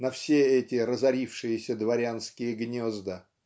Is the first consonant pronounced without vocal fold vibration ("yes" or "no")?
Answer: no